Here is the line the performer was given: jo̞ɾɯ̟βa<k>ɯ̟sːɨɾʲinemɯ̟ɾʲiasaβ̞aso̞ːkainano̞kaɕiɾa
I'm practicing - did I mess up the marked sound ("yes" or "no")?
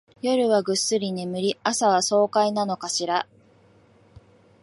yes